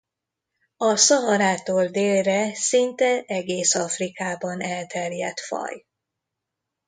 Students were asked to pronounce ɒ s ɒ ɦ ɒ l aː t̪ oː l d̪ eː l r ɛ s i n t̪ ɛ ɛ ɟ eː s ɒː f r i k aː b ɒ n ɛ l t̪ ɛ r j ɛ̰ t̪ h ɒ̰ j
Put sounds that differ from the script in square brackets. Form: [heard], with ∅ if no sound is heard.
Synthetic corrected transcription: ɒ s ɒ ɦ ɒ [ɾ] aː t̪ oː l d̪ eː l r ɛ s i n t̪ ɛ ɛ [ɡ] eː s [ɒ] f r i k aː b ɒ n ɛ l t̪ ɛ r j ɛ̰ t̪ [f] ɒ̰ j